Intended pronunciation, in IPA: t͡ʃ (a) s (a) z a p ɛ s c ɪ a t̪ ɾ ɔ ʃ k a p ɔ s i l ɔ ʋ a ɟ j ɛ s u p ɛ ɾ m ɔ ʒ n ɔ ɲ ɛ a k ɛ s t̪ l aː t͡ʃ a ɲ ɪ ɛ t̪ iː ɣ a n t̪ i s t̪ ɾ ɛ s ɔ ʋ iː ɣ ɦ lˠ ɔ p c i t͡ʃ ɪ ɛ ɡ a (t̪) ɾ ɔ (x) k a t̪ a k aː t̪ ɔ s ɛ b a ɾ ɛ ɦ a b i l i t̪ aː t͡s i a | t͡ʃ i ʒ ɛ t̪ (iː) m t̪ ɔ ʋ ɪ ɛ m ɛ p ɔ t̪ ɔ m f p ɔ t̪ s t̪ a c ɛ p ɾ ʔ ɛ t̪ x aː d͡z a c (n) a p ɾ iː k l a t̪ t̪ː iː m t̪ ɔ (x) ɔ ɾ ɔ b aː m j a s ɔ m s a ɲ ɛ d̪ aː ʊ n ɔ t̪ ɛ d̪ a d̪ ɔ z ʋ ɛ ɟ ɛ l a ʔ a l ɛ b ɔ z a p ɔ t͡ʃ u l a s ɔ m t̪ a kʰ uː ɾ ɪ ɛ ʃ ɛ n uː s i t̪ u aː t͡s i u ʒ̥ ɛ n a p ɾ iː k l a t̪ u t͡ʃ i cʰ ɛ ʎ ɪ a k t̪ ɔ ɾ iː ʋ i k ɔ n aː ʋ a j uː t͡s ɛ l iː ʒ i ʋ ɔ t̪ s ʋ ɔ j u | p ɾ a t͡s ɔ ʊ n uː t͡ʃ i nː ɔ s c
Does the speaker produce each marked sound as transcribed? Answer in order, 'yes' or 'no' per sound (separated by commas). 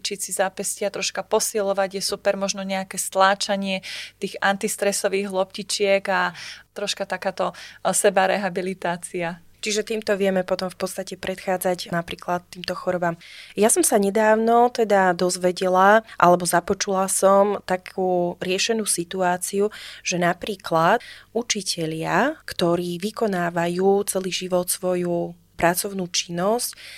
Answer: no, no, yes, no, yes, yes, yes